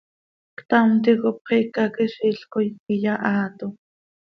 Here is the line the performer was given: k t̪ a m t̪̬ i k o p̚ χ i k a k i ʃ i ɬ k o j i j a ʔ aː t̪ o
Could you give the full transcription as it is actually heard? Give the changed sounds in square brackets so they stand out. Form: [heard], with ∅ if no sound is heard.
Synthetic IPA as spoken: k t̪ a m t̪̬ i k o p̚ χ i k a k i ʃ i ɬ k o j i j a ʔ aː t̪ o